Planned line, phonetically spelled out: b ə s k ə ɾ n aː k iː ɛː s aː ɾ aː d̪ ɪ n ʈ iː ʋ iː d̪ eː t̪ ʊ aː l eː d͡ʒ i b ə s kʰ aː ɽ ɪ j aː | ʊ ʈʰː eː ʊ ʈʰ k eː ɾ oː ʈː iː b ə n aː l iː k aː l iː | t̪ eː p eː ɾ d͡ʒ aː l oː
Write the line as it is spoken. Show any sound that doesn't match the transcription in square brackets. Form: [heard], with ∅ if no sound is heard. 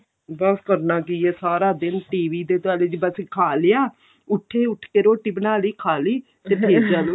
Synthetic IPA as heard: b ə s k ə ɾ n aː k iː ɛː s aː ɾ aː d̪ ɪ n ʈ iː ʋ iː d̪ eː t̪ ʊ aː l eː d͡ʒ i b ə s kʰ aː [l] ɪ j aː | ʊ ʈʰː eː ʊ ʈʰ k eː ɾ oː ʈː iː b ə n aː l iː [kʰ] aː l iː | t̪ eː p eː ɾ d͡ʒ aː l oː